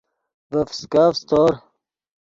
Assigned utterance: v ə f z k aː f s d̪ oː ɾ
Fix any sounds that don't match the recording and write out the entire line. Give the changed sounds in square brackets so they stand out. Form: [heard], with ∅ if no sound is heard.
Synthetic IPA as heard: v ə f [s] k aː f s [t̪] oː ɾ